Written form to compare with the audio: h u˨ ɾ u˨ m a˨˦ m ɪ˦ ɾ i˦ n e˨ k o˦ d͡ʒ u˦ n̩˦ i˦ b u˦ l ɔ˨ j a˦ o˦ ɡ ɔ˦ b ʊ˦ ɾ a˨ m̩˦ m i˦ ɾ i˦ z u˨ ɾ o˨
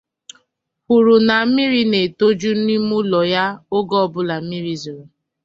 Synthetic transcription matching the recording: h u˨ ɾ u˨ n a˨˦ m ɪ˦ ɾ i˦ n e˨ t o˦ d͡ʒ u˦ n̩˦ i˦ m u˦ l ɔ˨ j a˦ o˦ ɡ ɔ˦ b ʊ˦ l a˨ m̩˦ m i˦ ɾ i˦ z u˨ ɾ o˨